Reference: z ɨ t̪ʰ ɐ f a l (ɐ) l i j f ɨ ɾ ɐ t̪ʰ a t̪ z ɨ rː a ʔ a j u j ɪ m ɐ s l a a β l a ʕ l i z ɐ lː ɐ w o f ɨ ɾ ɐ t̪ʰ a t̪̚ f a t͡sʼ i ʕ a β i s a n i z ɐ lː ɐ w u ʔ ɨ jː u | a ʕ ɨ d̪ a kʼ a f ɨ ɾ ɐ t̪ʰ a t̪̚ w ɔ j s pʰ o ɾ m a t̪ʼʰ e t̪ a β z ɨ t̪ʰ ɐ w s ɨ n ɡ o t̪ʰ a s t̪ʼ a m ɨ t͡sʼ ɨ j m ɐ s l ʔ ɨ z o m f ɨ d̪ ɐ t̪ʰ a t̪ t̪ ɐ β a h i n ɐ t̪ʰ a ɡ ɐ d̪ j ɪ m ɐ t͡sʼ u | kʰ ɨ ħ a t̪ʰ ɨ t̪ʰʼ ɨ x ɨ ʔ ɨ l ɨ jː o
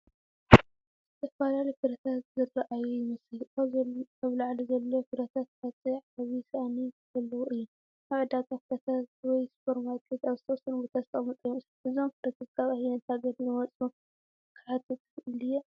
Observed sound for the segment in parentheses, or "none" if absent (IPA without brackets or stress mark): a